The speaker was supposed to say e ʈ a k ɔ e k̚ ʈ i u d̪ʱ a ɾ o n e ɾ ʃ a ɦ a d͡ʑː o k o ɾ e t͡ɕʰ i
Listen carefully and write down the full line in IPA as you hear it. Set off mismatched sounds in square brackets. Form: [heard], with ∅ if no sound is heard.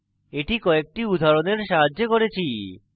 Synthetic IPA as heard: e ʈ [i] k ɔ e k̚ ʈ i u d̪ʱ a ɾ o n e ɾ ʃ a ɦ a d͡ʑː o k o ɾ e t͡ɕʰ i